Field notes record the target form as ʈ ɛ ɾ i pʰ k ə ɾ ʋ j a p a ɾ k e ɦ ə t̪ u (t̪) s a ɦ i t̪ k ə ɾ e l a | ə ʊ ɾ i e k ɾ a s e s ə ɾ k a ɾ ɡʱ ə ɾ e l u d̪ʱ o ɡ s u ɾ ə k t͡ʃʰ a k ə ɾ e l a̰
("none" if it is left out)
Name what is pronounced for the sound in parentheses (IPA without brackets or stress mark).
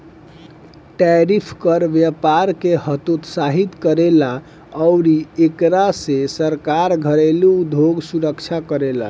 t̪